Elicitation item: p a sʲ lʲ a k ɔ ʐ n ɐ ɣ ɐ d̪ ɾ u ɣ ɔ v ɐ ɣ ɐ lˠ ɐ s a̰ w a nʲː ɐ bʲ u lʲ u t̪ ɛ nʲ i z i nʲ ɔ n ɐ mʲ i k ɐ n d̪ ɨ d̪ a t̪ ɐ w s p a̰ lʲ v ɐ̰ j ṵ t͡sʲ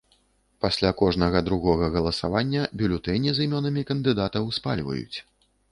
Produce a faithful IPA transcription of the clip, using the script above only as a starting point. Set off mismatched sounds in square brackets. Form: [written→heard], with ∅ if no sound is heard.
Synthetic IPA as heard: p a sʲ lʲ a k ɔ ʐ n ɐ ɣ ɐ d̪ ɾ u ɣ ɔ [v→ɣ] ɐ ɣ ɐ lˠ ɐ s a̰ [w→v] a nʲː ɐ bʲ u lʲ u t̪ ɛ nʲ i z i [nʲ→mʲ] ɔ n ɐ mʲ i k ɐ n d̪ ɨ d̪ a t̪ ɐ w s p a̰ lʲ v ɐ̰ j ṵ t͡sʲ